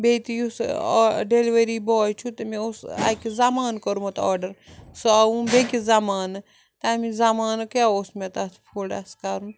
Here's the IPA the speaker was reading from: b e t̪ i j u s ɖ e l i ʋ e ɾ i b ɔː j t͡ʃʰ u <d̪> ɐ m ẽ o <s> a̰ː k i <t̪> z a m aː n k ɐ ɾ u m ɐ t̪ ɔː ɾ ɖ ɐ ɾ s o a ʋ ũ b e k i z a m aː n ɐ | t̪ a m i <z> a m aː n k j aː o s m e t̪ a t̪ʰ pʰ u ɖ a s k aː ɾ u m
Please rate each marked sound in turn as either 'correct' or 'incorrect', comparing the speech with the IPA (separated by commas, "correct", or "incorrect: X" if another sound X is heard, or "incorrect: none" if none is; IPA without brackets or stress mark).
incorrect: t̪, correct, incorrect: none, correct